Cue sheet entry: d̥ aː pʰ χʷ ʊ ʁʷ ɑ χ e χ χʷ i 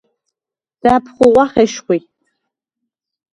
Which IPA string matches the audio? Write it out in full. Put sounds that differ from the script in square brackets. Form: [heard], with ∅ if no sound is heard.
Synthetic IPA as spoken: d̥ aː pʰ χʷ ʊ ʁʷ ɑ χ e [ʃ] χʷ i